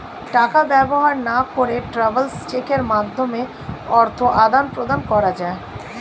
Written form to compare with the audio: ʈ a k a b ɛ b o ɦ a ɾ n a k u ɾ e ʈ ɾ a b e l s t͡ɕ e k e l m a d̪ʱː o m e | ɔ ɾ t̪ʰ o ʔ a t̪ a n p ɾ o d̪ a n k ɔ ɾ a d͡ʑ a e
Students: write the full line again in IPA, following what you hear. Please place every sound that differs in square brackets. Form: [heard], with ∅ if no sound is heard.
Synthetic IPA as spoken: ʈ a k a b ɛ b o ɦ a ɾ n a k [o] ɾ e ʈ ɾ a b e l s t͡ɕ e k e [ɾ] m a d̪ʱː o m e | ɔ ɾ t̪ʰ o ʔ a [d̪] a n p ɾ o d̪ a n k ɔ ɾ a d͡ʑ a e